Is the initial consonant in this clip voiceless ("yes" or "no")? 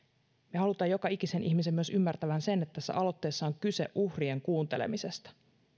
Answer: no